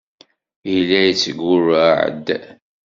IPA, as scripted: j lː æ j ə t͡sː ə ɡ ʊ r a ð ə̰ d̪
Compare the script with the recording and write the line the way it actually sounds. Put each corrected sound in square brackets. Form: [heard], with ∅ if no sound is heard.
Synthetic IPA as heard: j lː æ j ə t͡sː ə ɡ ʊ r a [ʕ] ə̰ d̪